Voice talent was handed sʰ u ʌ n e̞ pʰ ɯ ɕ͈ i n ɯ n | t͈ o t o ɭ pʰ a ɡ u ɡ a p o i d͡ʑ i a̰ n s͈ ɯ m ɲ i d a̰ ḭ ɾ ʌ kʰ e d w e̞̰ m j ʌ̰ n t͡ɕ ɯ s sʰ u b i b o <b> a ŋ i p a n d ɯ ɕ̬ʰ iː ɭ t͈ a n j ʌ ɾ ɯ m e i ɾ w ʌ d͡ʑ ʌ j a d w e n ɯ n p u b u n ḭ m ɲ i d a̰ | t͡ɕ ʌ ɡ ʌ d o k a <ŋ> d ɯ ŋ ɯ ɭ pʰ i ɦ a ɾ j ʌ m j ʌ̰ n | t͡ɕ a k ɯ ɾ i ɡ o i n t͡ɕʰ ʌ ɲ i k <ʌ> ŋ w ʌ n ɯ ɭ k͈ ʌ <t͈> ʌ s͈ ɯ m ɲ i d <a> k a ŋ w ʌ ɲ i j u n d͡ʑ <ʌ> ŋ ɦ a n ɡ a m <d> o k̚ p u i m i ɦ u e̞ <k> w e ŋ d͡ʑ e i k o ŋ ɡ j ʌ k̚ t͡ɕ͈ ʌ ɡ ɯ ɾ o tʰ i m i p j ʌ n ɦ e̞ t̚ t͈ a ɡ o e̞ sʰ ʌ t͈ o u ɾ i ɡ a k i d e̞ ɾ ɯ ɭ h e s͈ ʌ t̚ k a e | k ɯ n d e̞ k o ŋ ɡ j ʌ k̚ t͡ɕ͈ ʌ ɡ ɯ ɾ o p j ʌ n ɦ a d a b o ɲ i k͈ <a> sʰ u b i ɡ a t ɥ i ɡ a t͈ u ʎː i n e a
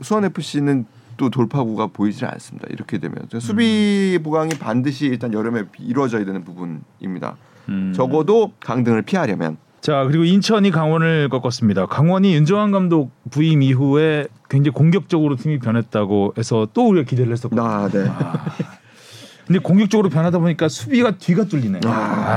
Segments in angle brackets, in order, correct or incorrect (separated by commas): incorrect, correct, incorrect, incorrect, correct, correct, correct, correct, correct